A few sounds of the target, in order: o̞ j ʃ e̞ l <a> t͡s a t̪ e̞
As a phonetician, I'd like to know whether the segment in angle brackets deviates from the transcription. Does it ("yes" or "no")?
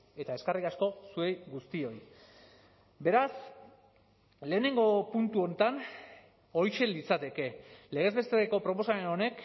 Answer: yes